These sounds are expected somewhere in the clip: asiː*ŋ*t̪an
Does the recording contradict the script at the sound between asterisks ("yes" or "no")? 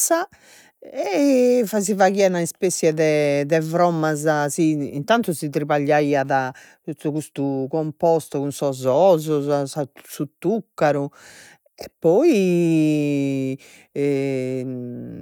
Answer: yes